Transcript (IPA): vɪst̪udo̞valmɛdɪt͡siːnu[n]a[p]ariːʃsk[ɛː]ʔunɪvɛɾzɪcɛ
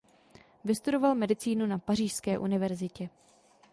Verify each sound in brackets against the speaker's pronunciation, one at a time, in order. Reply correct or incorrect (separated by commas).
correct, correct, correct